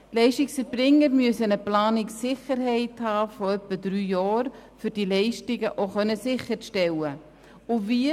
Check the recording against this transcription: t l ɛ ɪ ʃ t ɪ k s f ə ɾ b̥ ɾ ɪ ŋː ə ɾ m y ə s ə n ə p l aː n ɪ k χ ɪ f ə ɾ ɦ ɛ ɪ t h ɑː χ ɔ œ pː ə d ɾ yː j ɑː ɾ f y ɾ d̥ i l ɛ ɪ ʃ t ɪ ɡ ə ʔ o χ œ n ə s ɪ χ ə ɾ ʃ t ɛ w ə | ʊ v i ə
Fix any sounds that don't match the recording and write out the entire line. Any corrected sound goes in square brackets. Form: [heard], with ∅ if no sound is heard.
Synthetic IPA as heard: t l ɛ ɪ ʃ t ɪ k s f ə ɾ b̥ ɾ ɪ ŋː ə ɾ m y ə s ə n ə p l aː n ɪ k [s] ɪ [χ] ə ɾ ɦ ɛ ɪ t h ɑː [f] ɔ œ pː ə d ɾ yː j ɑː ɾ f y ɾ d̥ i l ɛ ɪ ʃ t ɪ ɡ ə ʔ o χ œ n ə s ɪ χ ə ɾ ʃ t ɛ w ə | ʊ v i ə